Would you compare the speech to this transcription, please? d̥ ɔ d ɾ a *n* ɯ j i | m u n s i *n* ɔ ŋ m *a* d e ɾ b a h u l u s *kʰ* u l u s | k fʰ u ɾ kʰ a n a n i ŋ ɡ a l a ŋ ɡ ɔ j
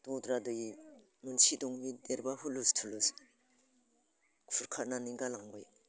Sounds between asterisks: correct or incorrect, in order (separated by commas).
incorrect, incorrect, incorrect, incorrect